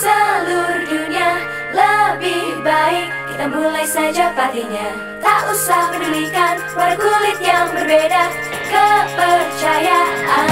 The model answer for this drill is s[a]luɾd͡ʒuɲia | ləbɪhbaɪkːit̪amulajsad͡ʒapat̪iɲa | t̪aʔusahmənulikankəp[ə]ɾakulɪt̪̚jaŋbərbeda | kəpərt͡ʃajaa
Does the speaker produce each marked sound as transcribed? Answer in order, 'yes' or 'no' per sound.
no, no

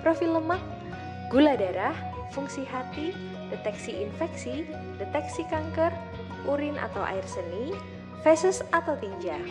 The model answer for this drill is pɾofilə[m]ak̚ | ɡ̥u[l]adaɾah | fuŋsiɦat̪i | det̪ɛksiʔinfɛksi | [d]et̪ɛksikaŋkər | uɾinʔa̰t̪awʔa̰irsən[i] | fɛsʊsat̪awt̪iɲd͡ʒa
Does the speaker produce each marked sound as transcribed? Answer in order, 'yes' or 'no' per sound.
yes, yes, yes, yes

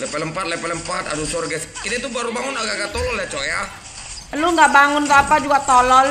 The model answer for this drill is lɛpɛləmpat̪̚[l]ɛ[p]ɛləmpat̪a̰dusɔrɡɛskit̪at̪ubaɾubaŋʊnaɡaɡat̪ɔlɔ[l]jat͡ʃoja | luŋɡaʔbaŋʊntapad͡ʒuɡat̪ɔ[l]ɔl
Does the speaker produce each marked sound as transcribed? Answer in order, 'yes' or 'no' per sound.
yes, yes, yes, yes

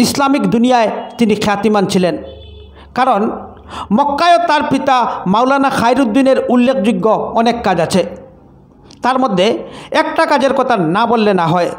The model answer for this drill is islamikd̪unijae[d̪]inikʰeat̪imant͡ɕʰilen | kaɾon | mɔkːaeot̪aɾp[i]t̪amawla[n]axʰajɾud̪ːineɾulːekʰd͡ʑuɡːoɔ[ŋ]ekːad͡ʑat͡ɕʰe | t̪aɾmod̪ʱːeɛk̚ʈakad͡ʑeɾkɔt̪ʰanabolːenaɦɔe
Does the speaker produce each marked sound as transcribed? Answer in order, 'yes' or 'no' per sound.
no, yes, yes, no

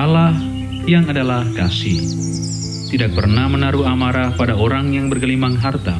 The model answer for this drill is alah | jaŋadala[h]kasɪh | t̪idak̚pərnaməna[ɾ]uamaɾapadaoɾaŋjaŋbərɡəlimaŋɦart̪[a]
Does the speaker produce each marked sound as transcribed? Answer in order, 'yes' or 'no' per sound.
yes, yes, yes

